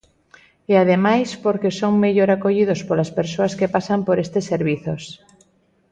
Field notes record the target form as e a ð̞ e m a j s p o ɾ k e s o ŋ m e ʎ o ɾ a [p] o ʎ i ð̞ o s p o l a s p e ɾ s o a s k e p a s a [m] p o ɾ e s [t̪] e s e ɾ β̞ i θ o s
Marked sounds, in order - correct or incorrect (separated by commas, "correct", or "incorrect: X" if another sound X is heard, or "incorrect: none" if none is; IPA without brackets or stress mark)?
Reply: incorrect: k, correct, correct